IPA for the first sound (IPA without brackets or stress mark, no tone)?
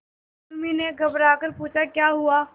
m